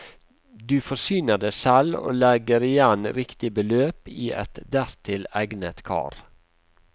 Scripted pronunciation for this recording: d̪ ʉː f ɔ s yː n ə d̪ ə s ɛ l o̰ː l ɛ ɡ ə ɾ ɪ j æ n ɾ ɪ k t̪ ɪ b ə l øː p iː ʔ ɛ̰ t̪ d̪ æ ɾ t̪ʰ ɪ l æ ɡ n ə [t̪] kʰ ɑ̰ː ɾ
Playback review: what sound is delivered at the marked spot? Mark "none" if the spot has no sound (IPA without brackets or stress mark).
t̪